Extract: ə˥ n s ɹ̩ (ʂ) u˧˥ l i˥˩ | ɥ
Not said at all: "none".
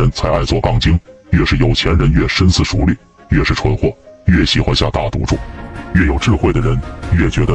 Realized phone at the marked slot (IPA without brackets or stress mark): ʂ